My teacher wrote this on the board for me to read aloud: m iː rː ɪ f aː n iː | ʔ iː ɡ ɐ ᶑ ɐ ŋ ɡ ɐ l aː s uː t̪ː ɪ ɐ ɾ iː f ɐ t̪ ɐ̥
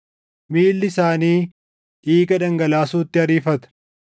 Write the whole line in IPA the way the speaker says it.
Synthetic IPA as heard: m iː lː ɪ s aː n iː | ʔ iː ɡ ɐ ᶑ ɐ ŋ ɡ ɐ l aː s uː t̪ː ɪ ɐ ɾ iː f ɐ t̪ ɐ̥

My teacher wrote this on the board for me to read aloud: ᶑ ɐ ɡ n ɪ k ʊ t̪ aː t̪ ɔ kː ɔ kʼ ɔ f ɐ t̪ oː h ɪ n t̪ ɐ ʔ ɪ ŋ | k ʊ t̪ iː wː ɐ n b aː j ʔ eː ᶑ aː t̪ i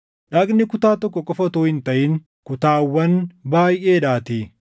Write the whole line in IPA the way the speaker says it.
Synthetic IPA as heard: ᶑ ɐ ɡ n ɪ k ʊ t̪ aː t̪ ɔ kː ɔ kʼ ɔ f ɐ t̪ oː h ɪ n t̪ ɐ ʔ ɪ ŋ | k ʊ t̪ aː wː ɐ n b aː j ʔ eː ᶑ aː t̪ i

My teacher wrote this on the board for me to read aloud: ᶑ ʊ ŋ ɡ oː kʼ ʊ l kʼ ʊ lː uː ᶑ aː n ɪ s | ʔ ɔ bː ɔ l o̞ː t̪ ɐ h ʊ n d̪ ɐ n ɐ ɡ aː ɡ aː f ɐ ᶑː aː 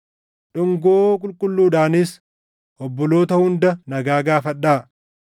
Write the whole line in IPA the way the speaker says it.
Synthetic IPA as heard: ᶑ ʊ ŋ ɡ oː kʼ ʊ l kʼ ʊ lː uː ᶑ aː n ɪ s | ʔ ɔ bː ɔ l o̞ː t̪ ɐ h ʊ n d̪ ɐ n ɐ ɡ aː ɡ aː f ɐ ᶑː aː

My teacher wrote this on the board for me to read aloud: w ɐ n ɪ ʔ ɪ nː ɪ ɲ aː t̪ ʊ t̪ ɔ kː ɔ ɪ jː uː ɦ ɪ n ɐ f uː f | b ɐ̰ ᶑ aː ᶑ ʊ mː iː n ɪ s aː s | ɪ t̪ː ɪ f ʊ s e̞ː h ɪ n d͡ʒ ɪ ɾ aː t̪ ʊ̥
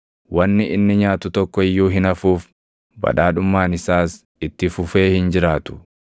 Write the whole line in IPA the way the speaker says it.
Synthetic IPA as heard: w ɐ nː ɪ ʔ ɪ nː ɪ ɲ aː t̪ ʊ t̪ ɔ kː ɔ ɪ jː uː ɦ ɪ n ɐ f uː f | b ɐ̰ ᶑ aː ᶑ ʊ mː aː n ɪ s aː s | ɪ t̪ː ɪ f ʊ f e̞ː h ɪ n d͡ʒ ɪ ɾ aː t̪ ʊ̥

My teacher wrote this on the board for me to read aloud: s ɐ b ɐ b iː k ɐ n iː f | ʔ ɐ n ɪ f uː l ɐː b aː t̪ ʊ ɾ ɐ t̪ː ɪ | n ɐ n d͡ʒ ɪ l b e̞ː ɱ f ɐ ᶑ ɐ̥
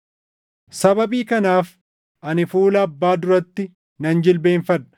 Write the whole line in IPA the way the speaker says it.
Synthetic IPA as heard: s ɐ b ɐ b iː k ɐ n aː f | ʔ ɐ n ɪ f uː l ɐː bː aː d̪ ʊ ɾ ɐ t̪ː ɪ | n ɐ n d͡ʒ ɪ l b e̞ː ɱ f ɐ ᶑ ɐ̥

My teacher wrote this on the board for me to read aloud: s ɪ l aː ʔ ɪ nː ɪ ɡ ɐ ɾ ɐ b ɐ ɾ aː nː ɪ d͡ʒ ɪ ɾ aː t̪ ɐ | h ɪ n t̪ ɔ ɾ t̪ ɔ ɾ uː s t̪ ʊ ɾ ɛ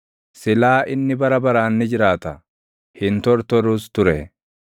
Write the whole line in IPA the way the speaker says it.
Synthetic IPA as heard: s ɪ l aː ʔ ɪ nː ɪ b ɐ ɾ ɐ b ɐ ɾ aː nː ɪ d͡ʒ ɪ ɾ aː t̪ ɐ | h ɪ n t̪ ɔ ɾ t̪ ɔ ɾ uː s t̪ ʊ ɾ ɛ

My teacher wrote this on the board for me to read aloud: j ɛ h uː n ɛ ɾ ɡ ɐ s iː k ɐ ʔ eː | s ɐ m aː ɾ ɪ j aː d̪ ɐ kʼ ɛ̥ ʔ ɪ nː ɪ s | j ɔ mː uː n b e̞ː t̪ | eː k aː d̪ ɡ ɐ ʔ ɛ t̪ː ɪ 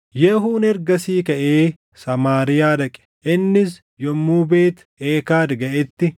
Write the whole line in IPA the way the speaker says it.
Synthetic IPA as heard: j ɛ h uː n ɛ ɾ ɡ ɐ s iː k ɐ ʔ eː | s ɐ m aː ɾ ɪ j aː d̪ ɐ kʼ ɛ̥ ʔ ɪ nː ɪ s | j ɔ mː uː b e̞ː t̪ | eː k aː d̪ ɡ ɐ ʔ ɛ t̪ː ɪ

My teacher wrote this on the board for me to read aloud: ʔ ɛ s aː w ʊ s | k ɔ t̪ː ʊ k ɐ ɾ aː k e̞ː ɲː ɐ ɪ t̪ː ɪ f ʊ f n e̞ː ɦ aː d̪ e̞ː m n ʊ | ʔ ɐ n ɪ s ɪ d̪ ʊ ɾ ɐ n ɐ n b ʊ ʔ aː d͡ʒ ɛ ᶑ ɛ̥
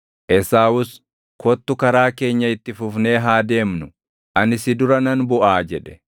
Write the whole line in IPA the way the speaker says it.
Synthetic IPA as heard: ʔ ɛ s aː w ʊ s | k ɔ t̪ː ʊ k ɐ ɾ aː k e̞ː ɲː ɐ ɪ t̪ː ɪ f ʊ f n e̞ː ɦ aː d̪ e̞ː m n ʊ | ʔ ɐ n ɪ s ɪ d̪ ʊ ɾ ɐ n ɐ n b ʊ ʔ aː d͡ʒ ɛ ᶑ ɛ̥

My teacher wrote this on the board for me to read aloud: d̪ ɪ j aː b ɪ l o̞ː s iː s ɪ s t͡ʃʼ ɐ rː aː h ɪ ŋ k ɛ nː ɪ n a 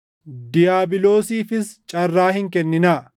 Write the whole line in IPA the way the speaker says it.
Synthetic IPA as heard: d̪ ɪ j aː b ɪ l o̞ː s iː f ɪ s t͡ʃʼ ɐ rː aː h ɪ ŋ k ɛ nː ɪ n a

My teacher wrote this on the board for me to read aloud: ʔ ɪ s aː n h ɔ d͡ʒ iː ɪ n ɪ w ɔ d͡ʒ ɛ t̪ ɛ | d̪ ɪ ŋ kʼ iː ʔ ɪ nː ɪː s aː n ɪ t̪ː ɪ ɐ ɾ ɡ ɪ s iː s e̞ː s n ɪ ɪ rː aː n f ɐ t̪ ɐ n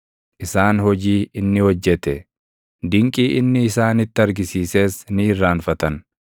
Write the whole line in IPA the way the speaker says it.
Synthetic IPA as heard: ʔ ɪ s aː n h ɔ d͡ʒ iː ɪ nː ɪ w ɔ d͡ʒː ɛ t̪ ɛ | d̪ ɪ ŋ kʼ iː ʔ ɪ nː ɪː s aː n ɪ t̪ː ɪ ɐ ɾ ɡ ɪ s iː s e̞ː s n ɪ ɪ rː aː n f ɐ t̪ ɐ n

